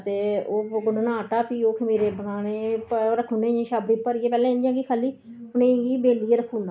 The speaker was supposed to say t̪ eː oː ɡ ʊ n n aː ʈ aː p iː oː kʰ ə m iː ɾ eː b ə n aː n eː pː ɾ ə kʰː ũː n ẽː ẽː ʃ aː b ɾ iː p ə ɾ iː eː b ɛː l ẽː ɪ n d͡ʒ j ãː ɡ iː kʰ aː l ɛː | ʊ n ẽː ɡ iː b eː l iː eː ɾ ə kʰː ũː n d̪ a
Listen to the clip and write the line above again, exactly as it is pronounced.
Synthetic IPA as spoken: t̪ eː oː ɡ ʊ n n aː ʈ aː p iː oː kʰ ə m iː ɾ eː b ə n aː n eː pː ɾ ə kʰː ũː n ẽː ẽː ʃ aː b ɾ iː p ə ɾ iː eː p ɛː l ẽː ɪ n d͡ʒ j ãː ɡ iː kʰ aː l iː | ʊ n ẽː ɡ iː b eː l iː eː ɾ ə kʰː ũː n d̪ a